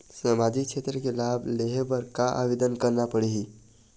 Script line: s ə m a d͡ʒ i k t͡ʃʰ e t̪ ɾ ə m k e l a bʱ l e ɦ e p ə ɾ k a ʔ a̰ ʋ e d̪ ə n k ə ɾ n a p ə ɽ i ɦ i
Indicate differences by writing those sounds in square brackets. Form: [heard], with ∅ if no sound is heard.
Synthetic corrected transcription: s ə m a d͡ʒ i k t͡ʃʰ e t̪ ɾ ə [∅] k e l a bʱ l e ɦ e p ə ɾ k a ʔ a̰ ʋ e d̪ ə n k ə ɾ n a p ə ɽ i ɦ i